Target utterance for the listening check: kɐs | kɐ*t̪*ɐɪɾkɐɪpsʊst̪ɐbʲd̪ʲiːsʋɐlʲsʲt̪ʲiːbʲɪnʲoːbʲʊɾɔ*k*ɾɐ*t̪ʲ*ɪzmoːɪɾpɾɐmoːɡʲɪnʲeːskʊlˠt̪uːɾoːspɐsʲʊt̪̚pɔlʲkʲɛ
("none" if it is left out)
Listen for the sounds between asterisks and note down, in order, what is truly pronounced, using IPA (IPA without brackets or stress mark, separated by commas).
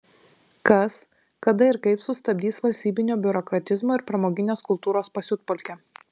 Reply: d̪, k, t̪ʲ